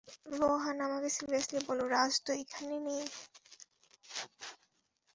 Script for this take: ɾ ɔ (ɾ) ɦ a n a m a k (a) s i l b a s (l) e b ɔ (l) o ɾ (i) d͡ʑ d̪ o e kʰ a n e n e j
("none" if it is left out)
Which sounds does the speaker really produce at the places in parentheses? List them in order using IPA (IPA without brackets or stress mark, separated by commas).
none, e, l, l, a